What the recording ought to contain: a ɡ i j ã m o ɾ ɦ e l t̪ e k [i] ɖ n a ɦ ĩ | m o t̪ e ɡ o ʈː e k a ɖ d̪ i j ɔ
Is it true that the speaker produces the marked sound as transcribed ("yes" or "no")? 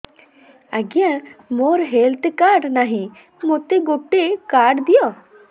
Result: no